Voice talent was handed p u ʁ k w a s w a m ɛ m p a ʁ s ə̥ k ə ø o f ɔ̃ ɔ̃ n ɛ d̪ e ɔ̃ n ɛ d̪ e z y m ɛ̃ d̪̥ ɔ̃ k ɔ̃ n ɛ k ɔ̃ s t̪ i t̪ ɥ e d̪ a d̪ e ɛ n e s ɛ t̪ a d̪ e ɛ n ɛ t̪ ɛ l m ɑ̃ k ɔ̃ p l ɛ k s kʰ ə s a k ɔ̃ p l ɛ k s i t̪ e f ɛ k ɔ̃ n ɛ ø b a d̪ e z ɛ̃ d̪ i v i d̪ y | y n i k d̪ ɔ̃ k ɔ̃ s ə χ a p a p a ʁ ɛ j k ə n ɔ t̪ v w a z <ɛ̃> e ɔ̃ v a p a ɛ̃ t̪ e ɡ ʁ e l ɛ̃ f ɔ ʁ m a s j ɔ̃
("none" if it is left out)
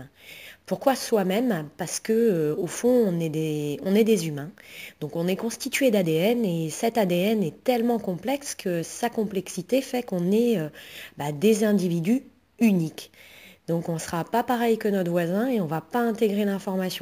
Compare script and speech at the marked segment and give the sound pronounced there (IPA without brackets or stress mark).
ɛ̃